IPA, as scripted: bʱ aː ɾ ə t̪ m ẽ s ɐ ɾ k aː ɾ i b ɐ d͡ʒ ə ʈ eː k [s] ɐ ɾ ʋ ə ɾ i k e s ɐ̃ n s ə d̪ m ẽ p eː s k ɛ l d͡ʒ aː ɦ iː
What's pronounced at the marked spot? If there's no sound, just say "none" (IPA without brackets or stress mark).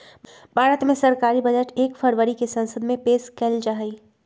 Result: f